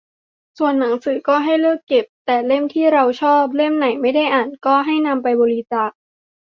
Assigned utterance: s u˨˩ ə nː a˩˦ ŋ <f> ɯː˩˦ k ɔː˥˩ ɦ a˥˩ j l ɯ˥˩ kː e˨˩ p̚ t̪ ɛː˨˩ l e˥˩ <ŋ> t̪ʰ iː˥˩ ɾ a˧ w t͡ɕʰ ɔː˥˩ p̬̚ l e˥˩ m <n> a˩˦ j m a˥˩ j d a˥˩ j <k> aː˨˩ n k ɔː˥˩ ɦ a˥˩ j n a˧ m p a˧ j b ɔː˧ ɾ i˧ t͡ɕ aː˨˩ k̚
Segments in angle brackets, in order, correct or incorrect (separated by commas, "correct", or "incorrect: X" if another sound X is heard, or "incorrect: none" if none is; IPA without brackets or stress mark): incorrect: s, incorrect: m, correct, incorrect: ʔ